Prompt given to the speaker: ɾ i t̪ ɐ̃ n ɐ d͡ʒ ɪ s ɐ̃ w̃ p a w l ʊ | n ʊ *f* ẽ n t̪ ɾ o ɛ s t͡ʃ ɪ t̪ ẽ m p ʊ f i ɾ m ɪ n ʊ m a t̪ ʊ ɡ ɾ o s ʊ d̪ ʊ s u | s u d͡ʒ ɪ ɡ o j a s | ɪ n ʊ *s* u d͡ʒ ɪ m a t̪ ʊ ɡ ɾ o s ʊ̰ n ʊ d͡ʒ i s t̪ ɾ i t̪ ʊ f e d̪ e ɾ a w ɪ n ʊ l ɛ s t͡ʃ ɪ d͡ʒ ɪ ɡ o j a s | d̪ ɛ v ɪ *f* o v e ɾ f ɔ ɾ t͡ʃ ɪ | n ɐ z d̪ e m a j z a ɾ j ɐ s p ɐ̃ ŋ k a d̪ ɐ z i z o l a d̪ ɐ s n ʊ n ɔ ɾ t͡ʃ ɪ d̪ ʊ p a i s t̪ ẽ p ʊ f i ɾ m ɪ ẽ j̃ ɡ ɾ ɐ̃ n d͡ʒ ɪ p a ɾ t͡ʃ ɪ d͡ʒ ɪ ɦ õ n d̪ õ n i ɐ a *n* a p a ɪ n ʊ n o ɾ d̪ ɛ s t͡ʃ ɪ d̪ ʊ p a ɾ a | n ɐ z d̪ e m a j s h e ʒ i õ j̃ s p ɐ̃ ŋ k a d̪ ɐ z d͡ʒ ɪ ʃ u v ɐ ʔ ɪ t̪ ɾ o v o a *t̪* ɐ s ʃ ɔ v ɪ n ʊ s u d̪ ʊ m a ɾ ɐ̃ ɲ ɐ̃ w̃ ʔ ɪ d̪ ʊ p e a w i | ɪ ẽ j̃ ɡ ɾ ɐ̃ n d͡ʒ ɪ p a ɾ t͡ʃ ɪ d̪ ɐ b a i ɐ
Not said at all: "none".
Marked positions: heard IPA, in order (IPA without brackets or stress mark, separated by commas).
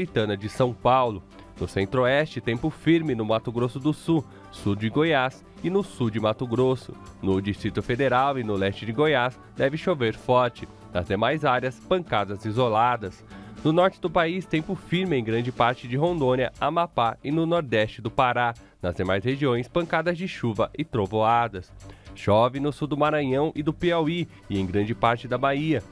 s, s, ʃ, m, d̪